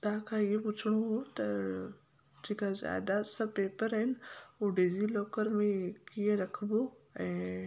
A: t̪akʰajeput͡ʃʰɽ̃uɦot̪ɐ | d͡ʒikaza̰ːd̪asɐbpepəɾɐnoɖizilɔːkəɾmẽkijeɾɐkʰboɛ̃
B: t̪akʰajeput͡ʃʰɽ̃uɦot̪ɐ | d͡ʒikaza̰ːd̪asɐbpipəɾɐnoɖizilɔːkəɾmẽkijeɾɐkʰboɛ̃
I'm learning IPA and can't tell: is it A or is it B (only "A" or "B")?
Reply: A